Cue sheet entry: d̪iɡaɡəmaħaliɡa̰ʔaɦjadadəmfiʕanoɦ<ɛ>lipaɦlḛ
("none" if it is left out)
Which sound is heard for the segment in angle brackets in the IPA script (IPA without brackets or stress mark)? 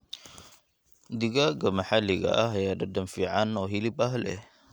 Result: i